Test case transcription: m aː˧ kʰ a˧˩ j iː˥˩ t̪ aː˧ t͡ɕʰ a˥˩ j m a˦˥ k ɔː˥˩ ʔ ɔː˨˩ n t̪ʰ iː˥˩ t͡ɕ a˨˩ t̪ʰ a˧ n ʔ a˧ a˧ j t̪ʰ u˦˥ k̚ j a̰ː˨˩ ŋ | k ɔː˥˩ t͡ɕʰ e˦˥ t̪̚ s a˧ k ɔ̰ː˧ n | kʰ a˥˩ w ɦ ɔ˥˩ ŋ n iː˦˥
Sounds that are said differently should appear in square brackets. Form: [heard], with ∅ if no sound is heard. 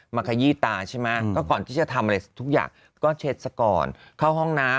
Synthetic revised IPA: m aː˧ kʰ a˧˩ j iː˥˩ t̪ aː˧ t͡ɕʰ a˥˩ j m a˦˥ k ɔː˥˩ [k] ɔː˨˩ n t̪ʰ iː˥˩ t͡ɕ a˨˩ t̪ʰ a˧ [m] ʔ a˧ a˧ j t̪ʰ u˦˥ k̚ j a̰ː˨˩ ŋ | k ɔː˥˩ t͡ɕʰ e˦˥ t̪̚ s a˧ k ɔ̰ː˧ n | kʰ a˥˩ w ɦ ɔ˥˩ ŋ n [aː˦˥]

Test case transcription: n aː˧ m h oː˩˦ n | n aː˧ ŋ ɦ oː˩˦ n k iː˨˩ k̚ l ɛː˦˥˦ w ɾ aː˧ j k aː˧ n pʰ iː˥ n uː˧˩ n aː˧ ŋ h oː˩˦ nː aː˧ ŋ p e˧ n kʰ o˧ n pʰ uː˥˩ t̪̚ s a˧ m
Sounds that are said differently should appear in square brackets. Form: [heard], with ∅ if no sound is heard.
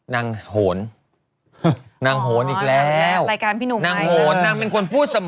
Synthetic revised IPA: n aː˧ [ŋ] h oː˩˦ n | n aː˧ ŋ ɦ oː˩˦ n [ʔ] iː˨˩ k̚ l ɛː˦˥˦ w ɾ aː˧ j k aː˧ n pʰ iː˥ n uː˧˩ n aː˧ ŋ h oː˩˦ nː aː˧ ŋ p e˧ n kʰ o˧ n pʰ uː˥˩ t̪̚ s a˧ m

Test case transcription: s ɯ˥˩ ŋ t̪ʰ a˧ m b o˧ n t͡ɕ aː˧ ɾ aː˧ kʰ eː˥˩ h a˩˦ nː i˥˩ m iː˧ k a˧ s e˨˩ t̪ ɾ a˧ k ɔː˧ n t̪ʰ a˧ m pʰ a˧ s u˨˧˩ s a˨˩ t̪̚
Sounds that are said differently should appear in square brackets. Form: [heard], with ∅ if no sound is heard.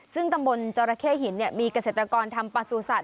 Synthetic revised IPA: s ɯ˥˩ ŋ [t̪] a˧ m b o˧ n t͡ɕ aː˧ ɾ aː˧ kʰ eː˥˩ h [i˩˦] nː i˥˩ m iː˧ k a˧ s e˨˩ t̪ ɾ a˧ k ɔː˧ n t̪ʰ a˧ m [p] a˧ s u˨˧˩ s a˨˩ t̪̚

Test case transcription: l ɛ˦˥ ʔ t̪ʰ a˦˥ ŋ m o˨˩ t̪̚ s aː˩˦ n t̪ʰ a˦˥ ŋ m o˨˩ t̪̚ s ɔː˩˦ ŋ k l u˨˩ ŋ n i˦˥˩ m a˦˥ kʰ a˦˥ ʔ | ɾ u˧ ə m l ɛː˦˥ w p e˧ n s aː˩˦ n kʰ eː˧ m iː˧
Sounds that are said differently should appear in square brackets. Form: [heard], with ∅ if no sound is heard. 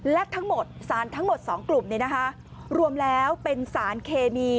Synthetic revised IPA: l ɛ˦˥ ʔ t̪ʰ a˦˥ ŋ m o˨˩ t̪̚ s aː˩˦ n t̪ʰ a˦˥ ŋ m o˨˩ t̪̚ s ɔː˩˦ ŋ k l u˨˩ [m] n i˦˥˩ [n] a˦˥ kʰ a˦˥ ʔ | ɾ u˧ ə m l ɛː˦˥ w p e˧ n s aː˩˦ n kʰ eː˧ m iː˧

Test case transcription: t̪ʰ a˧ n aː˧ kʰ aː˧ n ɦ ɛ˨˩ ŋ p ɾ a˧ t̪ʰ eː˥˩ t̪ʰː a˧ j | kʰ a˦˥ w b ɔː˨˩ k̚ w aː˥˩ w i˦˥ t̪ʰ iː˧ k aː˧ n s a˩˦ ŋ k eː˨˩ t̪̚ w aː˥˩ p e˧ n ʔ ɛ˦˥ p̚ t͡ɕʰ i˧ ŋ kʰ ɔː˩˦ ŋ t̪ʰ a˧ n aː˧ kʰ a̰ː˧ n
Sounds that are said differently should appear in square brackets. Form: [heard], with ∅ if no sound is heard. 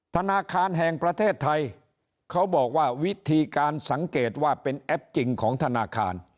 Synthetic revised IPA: t̪ʰ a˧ n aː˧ kʰ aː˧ n ɦ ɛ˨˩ ŋ p ɾ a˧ t̪ʰ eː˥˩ t̪ʰː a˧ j | kʰ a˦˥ w b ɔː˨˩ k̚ w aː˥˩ w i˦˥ t̪ʰ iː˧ k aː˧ n s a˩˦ ŋ k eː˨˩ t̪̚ w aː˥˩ p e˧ n ʔ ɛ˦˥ p̚ [t͡ɕ] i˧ ŋ kʰ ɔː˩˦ ŋ t̪ʰ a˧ n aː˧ kʰ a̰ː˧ n

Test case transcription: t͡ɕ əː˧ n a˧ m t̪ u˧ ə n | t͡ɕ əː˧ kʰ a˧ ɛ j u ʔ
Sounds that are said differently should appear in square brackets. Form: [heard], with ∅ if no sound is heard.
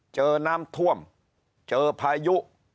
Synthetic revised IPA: t͡ɕ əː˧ n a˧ m [t̪ʰ] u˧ ə [m] | t͡ɕ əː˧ [pʰ] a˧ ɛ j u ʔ

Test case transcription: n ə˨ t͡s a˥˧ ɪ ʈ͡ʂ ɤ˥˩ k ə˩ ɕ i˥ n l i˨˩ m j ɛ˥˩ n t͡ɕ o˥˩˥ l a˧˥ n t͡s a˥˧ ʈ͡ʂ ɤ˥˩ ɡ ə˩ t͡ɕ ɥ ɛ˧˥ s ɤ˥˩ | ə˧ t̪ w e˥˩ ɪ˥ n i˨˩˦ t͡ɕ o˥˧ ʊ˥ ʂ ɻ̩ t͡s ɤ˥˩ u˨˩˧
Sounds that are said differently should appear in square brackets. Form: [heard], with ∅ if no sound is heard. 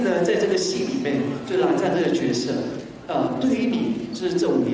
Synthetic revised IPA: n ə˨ t͡s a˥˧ ɪ ʈ͡ʂ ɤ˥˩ [ɡ] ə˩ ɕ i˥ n l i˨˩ m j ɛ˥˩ n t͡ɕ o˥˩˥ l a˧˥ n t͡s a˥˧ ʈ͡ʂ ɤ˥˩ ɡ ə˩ t͡ɕ ɥ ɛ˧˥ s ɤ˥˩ | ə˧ t̪ w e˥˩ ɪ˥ n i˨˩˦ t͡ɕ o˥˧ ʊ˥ ʂ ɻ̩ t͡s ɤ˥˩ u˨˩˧

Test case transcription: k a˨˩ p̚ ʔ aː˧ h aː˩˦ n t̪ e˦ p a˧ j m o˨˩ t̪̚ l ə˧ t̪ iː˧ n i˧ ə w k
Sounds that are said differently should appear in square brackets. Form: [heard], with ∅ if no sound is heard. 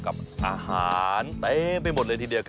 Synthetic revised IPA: k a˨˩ p̚ ʔ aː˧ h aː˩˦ n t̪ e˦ p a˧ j m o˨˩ t̪̚ l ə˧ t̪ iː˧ [d] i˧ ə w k

